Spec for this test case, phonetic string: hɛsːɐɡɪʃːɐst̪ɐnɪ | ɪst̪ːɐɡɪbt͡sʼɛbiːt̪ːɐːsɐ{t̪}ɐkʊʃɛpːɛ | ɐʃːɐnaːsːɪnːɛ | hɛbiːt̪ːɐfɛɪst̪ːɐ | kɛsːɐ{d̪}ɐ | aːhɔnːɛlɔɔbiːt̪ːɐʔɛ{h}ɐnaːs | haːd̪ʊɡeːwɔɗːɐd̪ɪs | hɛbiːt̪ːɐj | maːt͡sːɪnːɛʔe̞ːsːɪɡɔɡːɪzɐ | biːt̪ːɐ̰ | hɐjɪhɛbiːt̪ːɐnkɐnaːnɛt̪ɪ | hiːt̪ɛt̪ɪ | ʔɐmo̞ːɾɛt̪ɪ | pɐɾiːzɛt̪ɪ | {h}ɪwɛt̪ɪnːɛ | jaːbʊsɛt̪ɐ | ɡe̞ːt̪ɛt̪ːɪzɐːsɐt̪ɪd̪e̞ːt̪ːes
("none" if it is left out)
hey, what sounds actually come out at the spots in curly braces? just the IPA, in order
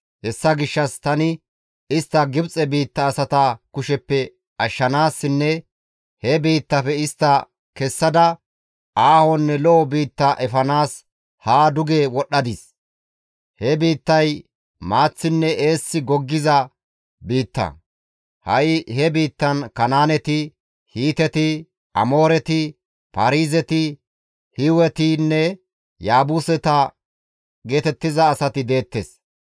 t̪, d̪, f, h

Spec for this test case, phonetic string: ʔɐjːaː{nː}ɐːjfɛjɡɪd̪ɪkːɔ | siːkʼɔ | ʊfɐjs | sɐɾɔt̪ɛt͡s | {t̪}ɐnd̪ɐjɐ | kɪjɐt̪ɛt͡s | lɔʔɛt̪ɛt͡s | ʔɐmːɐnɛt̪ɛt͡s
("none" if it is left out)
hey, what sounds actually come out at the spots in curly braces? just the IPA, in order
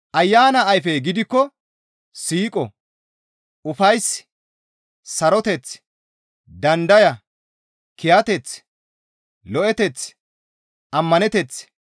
n, d̪

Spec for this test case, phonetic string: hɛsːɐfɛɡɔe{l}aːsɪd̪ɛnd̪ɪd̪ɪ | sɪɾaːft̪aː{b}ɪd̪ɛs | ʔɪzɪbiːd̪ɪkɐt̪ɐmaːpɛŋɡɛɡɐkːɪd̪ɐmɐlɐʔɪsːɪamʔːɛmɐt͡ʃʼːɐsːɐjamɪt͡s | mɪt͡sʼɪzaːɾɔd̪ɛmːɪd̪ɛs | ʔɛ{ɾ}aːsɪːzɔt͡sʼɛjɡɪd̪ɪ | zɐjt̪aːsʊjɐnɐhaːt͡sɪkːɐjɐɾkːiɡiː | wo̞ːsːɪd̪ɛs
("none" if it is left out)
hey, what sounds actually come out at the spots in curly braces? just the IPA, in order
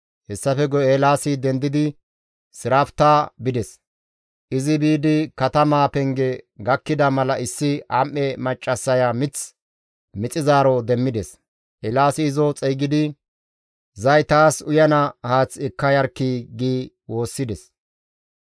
l, b, l

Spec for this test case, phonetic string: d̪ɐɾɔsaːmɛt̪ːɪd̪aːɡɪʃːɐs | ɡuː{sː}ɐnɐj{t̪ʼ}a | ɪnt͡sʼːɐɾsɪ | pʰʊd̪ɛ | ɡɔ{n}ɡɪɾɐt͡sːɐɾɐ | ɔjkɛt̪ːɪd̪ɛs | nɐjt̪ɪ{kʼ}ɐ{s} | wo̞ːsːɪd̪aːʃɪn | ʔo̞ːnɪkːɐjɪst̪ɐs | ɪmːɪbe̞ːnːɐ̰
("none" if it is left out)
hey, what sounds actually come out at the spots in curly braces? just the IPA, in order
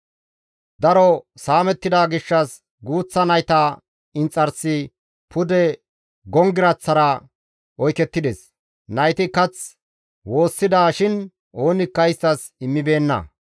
t͡sː, t̪, ŋ, k, t͡s

